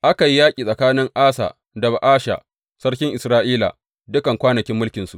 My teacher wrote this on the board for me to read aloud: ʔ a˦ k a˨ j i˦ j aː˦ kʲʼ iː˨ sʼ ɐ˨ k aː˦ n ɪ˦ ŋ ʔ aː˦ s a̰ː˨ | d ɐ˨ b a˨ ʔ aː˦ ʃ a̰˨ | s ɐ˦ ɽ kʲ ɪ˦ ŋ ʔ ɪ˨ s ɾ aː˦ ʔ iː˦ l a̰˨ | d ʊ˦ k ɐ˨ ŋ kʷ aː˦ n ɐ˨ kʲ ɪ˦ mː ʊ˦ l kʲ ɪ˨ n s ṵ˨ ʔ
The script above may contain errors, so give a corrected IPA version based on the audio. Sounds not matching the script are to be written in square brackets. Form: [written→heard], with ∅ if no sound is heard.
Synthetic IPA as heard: ʔ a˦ k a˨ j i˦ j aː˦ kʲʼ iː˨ sʼ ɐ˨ k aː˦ n ɪ˦ ŋ ʔ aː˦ s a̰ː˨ | d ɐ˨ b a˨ ʔ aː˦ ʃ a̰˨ | s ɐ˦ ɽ kʲ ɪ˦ ŋ ʔ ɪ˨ s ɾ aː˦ ʔ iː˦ l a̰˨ | d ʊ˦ k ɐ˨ ŋ kʷ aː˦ n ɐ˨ kʲ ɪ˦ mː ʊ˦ l kʲ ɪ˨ n s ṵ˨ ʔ